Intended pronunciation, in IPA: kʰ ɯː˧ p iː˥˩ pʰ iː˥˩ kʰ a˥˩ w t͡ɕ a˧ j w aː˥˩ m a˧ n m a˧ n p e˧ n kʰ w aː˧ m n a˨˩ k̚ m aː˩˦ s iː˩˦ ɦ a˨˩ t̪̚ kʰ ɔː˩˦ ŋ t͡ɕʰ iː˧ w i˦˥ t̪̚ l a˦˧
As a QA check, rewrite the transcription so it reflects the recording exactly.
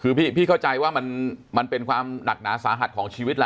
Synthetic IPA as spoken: kʰ ɯː˧ p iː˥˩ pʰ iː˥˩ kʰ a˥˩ w t͡ɕ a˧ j w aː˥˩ m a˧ n m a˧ n p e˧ n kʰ w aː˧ m n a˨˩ k̚ n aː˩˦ s aː˩˦ ɦ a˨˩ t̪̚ kʰ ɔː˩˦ ŋ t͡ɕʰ iː˧ w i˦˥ t̪̚ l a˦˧

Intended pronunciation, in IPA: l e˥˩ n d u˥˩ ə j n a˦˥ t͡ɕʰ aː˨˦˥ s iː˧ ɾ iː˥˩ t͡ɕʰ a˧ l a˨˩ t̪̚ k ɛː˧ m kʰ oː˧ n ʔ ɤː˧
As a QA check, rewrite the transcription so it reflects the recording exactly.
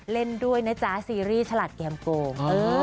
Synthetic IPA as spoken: l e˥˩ n d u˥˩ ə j n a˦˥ t͡ɕ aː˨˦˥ s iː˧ ɾ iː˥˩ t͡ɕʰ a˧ l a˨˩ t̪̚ k ɛː˧ m k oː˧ ŋ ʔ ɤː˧

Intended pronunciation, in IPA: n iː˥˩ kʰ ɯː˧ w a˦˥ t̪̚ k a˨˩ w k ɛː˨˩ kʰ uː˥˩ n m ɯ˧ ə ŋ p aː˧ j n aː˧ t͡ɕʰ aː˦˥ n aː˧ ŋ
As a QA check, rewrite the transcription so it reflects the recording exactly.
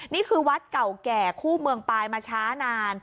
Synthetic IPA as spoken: n iː˥˩ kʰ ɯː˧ w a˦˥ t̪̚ k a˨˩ w k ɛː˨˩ kʰ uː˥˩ m ɯ˧ ə ŋ p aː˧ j m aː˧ t͡ɕʰ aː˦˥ n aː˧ n

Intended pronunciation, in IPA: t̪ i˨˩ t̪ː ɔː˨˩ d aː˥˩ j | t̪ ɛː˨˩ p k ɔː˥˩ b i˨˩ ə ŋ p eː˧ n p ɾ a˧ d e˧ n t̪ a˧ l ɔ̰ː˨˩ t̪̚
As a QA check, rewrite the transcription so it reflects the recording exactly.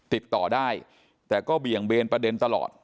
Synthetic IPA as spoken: t̪ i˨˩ t̪ː ɔː˨˩ d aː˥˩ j | t̪ ɛː˨˩ k ɔː˥˩ b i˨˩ ə ŋ b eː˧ n p ɾ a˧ d e˧ n t̪ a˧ l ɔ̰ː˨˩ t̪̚

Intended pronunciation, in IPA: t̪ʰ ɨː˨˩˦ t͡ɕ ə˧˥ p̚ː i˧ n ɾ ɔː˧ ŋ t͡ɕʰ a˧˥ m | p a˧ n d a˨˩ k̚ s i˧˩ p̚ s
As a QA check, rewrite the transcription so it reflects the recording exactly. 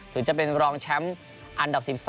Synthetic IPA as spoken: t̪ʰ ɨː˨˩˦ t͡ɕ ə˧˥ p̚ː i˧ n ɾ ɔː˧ ŋ t͡ɕʰ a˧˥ m | ʔ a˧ n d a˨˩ p̚ s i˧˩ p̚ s

